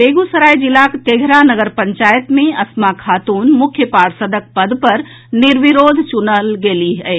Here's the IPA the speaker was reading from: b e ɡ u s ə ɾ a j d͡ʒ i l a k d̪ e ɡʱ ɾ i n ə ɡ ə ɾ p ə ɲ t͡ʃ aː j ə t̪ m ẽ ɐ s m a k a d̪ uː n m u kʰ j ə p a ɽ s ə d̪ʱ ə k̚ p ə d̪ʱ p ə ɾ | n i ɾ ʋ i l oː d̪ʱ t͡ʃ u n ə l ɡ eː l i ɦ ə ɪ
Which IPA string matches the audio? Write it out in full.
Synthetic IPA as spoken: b e ɡ u s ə ɾ a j d͡ʒ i l a k t̪ e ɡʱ ɾ a n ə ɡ ə ɾ p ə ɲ t͡ʃ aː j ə t̪ m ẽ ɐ s m a kʰ a t̪ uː n m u kʰ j ə p a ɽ s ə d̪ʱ ə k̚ p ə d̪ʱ p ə ɾ | n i ɾ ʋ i ɾ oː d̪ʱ t͡ʃ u n ə l ɡ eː l i ɦ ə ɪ

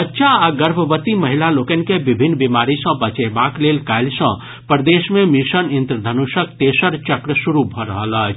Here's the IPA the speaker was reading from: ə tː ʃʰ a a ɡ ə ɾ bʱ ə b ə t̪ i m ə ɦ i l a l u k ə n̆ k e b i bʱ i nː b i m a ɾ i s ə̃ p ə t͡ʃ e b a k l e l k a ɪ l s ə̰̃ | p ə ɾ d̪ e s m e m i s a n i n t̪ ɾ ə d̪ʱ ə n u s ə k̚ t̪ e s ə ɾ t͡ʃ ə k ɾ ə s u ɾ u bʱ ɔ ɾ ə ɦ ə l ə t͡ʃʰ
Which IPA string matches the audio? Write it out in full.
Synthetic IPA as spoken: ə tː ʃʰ a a ɡ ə ɾ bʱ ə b ə t̪ i m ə ɦ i l a l o k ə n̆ k e b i bʱ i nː b i m a ɾ i s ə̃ b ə t͡ʃ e b a k l e l k a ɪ l s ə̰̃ | p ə ɾ d̪ e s m e m i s ə n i n t̪ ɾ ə d̪ʱ ə n u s ə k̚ t̪ e s ə ɾ t͡ʃ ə k ɾ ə s u ɾ u bʱ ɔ ɾ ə ɦ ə l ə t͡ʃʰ

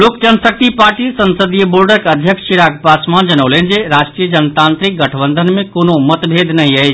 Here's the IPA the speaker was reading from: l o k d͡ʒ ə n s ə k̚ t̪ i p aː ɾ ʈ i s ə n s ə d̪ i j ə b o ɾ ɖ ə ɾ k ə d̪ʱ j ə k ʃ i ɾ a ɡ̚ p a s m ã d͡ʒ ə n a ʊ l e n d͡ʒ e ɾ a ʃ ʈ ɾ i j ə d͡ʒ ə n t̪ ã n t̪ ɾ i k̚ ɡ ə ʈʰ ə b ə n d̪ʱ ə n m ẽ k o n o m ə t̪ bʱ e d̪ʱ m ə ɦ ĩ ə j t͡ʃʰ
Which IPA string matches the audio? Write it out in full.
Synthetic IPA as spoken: l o k d͡ʒ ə n s ə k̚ t̪ i p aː ɾ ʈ i s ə n s ə d̪ i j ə b o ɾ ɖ ə ɾ k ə d̪ʱ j ə k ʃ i ɾ a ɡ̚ p a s m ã d͡ʒ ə n ə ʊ l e n d͡ʒ e ɾ a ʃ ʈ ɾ i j ə d͡ʒ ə n t̪ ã n t̪ ɾ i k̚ ɡ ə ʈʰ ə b ə n d̪ʱ ə n m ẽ k o n o m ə t̪ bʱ e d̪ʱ n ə ɦ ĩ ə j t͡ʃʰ

